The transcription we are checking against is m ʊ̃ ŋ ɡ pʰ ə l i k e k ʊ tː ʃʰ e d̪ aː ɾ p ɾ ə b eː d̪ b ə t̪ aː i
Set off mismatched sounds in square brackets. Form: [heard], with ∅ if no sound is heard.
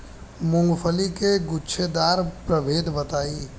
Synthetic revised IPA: m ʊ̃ ŋ ɡ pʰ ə l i k e [ɡ] ʊ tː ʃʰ e d̪ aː ɾ p ɾ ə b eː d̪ b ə t̪ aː i